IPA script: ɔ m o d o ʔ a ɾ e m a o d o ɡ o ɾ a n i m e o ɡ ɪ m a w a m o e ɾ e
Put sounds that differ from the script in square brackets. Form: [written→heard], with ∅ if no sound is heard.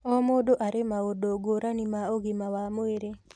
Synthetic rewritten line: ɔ m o d o ʔ a ɾ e m a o d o ɡ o ɾ a n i m [e→a] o ɡ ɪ m a w a m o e ɾ e